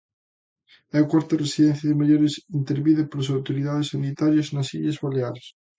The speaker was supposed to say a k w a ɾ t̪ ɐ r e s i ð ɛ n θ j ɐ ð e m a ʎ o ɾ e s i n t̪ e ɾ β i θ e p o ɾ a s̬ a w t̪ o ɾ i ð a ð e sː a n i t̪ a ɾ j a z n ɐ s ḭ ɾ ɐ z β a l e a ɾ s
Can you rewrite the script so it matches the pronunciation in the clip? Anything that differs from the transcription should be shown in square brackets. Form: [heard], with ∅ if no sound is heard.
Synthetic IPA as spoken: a k w a ɾ t̪ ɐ r e s i ð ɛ n θ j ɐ ð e m a ʎ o ɾ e s i n t̪ e ɾ β i [ð] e p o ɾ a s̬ a w t̪ o ɾ i ð a ð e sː a n i t̪ a ɾ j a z n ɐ s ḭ [ʎ] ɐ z β a l e a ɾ s